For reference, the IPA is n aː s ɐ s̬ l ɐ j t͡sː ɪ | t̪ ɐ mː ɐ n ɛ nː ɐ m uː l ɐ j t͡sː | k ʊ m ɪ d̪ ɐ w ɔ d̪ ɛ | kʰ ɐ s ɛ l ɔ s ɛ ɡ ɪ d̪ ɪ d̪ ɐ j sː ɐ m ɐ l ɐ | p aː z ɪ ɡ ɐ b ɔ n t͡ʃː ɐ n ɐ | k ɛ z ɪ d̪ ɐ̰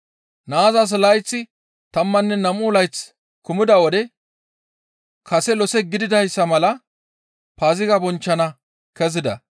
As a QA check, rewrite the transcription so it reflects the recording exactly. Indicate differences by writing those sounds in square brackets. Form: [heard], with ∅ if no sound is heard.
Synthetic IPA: n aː [z] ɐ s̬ l ɐ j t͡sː ɪ | t̪ ɐ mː ɐ [nː] ɛ [n] ɐ m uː l ɐ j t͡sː | k ʊ m ɪ d̪ ɐ w ɔ d̪ ɛ | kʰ ɐ s ɛ l ɔ s ɛ ɡ ɪ d̪ ɪ d̪ ɐ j sː ɐ m ɐ l ɐ | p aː z ɪ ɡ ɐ b ɔ n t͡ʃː ɐ n ɐ | k ɛ z ɪ d̪ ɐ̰